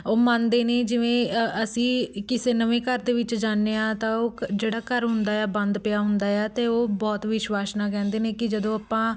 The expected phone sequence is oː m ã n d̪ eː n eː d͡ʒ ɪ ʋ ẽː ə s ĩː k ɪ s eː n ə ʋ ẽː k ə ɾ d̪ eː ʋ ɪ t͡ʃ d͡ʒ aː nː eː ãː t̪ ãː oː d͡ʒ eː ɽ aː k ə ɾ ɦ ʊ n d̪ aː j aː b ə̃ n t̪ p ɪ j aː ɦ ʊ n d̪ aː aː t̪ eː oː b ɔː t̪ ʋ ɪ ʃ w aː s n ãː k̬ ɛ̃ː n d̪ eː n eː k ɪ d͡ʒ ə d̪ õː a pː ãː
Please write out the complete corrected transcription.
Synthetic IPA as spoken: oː m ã n d̪ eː n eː d͡ʒ ɪ ʋ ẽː ə s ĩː k ɪ s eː n ə ʋ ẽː k ə ɾ d̪ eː ʋ ɪ t͡ʃ d͡ʒ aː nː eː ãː t̪ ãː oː d͡ʒ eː ɽ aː k ə ɾ ɦ ʊ n d̪ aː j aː b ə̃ n d̪ p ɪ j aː ɦ ʊ n d̪ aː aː t̪ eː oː b ɔː t̪ ʋ ɪ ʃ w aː s n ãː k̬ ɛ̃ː n d̪ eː n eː k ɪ d͡ʒ ə d̪ õː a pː ãː